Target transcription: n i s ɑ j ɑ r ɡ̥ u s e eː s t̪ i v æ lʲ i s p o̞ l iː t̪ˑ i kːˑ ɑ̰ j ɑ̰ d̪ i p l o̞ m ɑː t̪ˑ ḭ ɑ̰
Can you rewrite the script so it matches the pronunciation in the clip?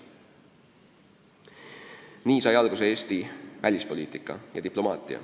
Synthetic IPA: n iː s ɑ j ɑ l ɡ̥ u s e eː s t̪ i v æ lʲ i s p o̞ l iː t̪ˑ i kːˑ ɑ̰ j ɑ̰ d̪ i p l o̞ m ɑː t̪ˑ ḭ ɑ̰

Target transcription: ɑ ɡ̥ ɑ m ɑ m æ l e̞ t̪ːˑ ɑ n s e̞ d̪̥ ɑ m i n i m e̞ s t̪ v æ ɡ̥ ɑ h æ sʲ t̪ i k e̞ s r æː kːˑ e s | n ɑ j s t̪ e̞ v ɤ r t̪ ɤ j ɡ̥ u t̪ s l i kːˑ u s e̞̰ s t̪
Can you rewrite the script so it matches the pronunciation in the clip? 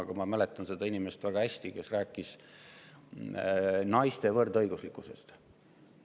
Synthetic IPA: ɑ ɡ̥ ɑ m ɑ m æ l e̞ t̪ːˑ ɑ n s e̞ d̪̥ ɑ i n i m e̞ s t̪ v æ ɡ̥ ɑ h æ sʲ t̪ i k e̞ s r æː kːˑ i s | n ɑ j s t̪ e̞ v ɤ r d̪ ɤ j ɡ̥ u s l i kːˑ u s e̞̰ s t̪

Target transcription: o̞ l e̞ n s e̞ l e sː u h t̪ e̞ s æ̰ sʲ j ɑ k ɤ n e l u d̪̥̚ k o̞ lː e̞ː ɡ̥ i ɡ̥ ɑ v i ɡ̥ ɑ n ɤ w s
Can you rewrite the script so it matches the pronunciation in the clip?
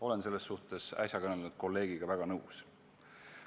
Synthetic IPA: o̞ l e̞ n s e̞ lː e sː u h t̪ e̞ s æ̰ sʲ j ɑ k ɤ n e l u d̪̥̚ k o̞ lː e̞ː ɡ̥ i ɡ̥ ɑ v æ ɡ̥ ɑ n ɤ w s

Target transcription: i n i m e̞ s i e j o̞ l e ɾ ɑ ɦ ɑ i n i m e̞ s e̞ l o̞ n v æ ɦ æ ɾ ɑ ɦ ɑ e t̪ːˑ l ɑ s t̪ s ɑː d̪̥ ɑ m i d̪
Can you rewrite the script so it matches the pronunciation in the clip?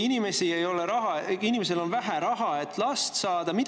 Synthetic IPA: i n i m e̞ s i e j o̞ l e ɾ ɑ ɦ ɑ i n i m e̞ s e̞ l o̞ n v æ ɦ æ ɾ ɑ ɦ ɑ e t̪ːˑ l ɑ s t̪ s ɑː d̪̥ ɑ m i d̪

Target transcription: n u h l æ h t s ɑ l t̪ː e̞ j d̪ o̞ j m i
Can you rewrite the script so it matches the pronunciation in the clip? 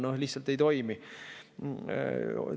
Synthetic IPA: n o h l i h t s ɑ l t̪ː e̞ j t̪ o̞ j m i

